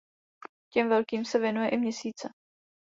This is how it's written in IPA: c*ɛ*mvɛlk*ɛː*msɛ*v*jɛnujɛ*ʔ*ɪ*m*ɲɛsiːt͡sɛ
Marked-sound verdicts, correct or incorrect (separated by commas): correct, incorrect, correct, correct, correct